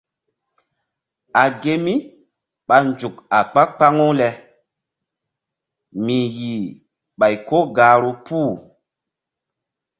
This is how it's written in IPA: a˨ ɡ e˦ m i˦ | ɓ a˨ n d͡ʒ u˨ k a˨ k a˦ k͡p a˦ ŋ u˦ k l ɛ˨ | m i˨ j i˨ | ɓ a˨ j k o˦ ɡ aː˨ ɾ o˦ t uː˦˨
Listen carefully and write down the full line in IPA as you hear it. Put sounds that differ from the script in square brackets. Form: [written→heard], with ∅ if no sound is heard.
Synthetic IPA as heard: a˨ ɡ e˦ m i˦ | ɓ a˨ n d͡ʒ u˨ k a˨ [k→k͡p] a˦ k͡p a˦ ŋ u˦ [k→∅] l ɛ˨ | m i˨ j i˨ | ɓ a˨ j k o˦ ɡ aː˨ ɾ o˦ [t→p] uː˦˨